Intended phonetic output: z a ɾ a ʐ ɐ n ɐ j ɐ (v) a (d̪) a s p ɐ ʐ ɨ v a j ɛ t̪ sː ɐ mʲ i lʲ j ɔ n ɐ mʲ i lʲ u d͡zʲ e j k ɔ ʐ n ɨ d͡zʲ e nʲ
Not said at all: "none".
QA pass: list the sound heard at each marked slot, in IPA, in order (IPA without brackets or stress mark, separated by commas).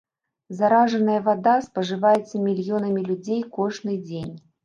v, d̪